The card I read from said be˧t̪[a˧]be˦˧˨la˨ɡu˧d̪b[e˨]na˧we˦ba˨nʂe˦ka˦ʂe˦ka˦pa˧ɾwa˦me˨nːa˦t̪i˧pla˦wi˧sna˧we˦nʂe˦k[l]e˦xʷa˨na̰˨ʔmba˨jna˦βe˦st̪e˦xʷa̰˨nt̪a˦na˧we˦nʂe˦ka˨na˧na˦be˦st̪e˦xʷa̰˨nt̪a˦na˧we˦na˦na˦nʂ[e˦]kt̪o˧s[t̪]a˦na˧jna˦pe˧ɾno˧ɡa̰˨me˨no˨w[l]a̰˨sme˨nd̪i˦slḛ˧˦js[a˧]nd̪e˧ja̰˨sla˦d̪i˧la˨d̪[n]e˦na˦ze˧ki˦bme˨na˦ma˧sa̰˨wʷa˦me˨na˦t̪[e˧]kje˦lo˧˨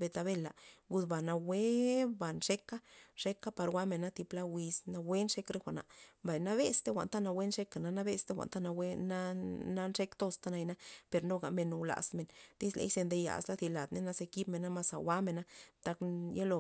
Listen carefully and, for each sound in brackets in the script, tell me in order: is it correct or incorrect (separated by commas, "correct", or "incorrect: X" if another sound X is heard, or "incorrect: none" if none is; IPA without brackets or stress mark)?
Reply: correct, incorrect: a˨, incorrect: ɾ, correct, correct, correct, incorrect: e˧, correct, incorrect: a˧